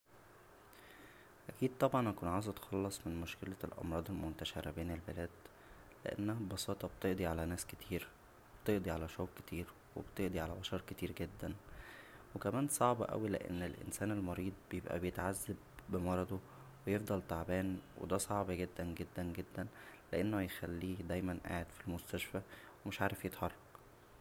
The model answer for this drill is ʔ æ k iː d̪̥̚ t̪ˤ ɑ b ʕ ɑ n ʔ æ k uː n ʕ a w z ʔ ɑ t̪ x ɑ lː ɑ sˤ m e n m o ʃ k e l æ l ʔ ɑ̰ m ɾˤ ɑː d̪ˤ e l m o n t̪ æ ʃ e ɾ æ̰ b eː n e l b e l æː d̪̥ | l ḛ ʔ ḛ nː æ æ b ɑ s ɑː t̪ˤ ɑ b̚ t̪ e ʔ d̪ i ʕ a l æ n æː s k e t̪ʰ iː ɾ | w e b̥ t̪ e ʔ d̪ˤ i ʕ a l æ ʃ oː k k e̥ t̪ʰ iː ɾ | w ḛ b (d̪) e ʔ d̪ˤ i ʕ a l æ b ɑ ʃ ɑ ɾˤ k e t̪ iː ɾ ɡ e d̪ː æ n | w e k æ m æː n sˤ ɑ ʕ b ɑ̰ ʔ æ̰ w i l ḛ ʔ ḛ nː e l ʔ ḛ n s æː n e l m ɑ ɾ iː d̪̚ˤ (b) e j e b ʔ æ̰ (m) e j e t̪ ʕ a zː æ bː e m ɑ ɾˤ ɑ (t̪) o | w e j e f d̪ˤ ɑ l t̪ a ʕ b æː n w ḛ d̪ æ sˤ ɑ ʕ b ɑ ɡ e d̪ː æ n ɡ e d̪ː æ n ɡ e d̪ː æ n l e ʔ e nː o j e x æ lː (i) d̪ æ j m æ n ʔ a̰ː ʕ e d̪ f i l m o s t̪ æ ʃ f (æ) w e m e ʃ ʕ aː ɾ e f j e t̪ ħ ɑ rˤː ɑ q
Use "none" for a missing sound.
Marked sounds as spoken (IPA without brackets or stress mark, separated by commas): t̪, b, b, d̪, iː, æ